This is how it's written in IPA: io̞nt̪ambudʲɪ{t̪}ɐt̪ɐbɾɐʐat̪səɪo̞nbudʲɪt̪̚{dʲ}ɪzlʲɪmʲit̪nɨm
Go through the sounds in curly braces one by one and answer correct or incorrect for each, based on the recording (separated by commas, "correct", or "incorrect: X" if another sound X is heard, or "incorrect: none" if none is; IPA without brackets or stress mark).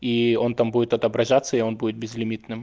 correct, incorrect: bʲ